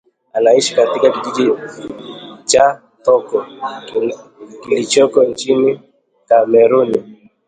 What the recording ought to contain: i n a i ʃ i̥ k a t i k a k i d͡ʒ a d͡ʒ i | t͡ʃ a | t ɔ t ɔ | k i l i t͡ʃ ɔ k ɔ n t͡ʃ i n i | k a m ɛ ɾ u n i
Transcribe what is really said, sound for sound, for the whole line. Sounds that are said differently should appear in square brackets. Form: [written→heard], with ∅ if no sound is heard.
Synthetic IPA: [i→a] n a i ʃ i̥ k a t i k a k i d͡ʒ [a→i] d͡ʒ i | t͡ʃ a | t ɔ [t→k] ɔ | k i l i t͡ʃ ɔ k ɔ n t͡ʃ i n i | k a m ɛ ɾ u n i